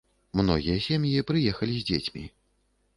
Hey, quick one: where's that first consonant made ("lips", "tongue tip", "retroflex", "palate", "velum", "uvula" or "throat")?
lips